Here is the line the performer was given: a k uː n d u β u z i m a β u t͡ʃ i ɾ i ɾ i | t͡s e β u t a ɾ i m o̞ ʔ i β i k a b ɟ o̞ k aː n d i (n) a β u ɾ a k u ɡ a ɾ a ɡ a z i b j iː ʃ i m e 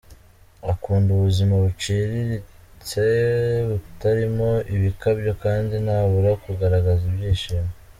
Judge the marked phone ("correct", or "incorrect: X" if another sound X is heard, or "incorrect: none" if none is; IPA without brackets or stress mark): correct